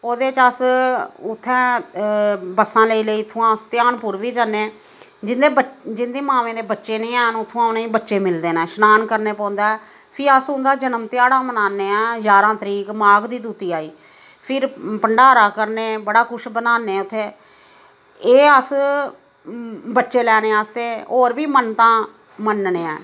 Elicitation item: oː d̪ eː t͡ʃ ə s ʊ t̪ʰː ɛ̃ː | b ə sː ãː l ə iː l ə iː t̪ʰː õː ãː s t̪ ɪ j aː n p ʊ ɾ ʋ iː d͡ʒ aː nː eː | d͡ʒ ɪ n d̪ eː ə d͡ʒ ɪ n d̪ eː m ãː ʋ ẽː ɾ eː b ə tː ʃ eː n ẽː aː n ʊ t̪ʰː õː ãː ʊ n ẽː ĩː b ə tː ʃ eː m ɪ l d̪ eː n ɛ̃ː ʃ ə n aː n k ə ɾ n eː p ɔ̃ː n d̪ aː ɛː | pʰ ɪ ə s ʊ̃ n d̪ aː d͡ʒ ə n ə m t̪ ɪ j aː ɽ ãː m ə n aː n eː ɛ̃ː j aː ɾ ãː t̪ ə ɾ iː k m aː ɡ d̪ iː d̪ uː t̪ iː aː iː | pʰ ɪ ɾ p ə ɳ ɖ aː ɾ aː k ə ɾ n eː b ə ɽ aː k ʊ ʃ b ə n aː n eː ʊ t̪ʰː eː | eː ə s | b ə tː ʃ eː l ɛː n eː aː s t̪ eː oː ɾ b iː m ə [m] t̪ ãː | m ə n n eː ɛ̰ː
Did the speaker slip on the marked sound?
yes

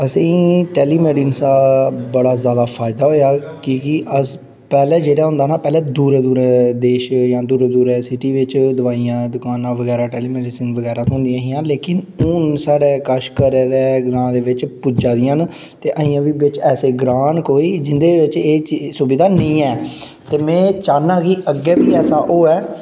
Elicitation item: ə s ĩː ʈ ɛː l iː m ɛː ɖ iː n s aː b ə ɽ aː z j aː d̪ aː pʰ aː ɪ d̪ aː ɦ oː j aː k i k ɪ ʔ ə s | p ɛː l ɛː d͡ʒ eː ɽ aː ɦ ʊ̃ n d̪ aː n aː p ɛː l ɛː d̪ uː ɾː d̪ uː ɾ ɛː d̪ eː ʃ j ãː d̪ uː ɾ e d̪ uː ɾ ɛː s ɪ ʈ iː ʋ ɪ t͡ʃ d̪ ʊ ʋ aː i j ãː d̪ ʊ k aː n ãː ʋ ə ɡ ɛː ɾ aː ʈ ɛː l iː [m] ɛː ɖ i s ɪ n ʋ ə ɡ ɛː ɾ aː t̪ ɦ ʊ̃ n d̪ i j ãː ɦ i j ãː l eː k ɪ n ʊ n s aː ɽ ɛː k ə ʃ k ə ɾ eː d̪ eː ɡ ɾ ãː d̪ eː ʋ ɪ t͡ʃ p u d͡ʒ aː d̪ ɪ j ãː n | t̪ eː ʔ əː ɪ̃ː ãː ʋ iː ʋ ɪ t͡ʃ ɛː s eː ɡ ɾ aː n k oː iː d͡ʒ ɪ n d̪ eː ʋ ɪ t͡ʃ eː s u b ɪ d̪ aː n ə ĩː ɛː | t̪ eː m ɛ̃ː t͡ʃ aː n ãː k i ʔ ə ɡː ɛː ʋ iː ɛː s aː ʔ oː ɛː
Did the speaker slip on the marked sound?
no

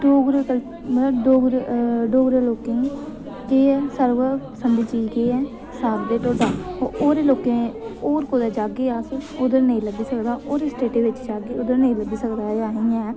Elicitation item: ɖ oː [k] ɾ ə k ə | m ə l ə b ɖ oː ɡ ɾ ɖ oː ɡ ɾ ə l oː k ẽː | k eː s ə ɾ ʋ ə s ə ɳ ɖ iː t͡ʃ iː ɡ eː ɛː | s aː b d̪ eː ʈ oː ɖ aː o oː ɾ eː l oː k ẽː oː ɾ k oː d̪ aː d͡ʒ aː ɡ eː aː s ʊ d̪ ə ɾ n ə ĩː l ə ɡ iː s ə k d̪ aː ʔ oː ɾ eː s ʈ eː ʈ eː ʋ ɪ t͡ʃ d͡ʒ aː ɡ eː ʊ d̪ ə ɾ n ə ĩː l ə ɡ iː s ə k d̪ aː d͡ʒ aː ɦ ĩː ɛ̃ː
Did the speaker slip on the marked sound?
yes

